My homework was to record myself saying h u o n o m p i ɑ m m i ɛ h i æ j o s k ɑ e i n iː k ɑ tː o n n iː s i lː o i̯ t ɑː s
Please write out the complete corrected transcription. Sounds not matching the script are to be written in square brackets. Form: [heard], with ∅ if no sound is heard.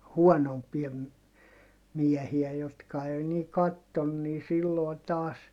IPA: h u [ɔ] n o m p i ɑ m m i ɛ h i æ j o [t] k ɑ e i n iː k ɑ tː o n n iː s i lː o i̯ t ɑː s